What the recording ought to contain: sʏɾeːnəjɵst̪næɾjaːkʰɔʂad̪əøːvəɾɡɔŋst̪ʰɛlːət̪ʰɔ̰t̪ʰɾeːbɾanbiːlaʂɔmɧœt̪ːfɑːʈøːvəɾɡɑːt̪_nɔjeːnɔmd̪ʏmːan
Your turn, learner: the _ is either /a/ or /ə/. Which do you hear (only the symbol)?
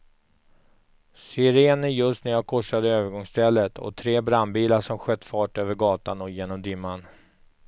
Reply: a